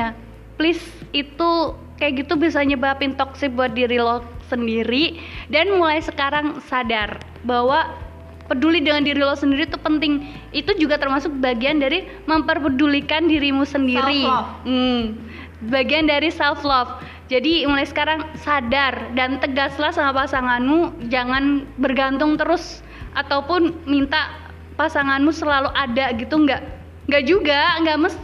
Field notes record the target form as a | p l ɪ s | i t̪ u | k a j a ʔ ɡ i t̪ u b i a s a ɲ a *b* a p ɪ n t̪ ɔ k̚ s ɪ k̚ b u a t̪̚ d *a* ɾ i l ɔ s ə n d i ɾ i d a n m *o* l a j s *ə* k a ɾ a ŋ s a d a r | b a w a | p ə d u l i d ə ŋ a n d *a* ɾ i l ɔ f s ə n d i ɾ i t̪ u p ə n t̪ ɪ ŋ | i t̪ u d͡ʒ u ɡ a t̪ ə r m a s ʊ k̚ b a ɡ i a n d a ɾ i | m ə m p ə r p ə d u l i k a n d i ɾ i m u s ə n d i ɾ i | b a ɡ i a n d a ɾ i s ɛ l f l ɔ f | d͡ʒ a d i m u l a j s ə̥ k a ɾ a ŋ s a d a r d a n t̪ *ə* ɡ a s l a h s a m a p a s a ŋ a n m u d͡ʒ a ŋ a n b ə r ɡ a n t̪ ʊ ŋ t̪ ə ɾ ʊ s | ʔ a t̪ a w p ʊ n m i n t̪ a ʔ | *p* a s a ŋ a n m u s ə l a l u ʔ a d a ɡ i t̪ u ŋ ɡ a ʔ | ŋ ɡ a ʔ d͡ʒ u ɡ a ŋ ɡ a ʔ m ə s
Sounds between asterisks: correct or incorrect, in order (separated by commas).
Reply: correct, incorrect, incorrect, correct, incorrect, correct, correct